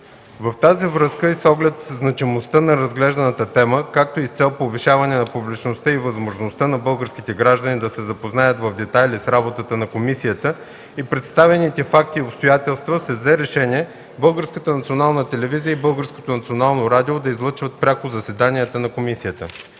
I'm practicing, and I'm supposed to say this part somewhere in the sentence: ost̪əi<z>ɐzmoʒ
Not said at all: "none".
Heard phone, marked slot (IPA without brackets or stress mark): v